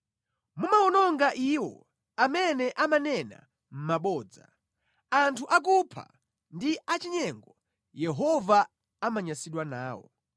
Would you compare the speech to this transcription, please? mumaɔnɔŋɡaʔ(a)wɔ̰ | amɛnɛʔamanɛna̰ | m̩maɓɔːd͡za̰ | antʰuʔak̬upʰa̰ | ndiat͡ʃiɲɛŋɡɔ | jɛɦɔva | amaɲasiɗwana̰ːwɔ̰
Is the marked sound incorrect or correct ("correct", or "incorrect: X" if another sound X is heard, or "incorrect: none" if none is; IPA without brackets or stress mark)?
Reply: incorrect: i